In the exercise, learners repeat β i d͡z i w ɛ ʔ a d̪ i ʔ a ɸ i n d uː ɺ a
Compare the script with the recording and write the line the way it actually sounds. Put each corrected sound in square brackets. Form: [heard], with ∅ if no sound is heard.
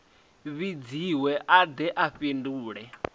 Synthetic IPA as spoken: β i d͡z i w ɛ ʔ a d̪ [ɛ] ʔ a ɸ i n d uː ɺ [ɛ]